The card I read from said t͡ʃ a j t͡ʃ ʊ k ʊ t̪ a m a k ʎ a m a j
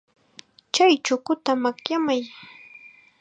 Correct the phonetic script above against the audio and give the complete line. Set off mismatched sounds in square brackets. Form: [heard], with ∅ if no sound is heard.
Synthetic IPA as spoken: t͡ʃ a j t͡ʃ ʊ k ʊ t̪ a m a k [j] a m a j